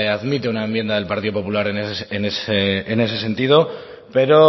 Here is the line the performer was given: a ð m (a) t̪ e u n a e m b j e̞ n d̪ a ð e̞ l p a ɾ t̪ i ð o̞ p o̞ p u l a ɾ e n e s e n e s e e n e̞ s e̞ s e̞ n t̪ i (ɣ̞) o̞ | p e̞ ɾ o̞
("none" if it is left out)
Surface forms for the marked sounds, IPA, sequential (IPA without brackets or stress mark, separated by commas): i, ð̞